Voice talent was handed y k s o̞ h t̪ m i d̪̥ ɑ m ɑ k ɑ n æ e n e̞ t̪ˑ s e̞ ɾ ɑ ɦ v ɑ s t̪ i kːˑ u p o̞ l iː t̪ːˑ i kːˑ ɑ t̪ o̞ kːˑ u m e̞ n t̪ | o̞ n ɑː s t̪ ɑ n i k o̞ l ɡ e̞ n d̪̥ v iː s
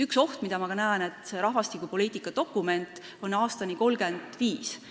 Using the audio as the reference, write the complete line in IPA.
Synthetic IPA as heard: y k s o̞ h t̪ m i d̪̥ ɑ m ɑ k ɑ n æ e n e̞ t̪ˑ s e̞ ɾ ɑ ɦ v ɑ s t̪ i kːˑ u p o̞ l iː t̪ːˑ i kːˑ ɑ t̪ o̞ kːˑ u m e̞ n t̪ | o̞ n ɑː s t̪ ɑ n i k o̞ l ɡ e̞ n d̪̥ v iː s